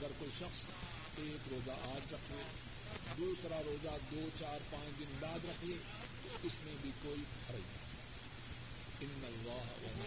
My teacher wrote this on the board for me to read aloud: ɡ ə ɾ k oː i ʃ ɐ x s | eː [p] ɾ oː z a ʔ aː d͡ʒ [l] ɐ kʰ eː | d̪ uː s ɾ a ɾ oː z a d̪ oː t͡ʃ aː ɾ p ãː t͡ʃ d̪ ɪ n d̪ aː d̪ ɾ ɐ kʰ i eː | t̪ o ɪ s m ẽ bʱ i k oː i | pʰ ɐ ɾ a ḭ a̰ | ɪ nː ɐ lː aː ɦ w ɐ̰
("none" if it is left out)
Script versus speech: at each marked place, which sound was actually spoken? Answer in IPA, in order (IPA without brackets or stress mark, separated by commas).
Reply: k, ɾ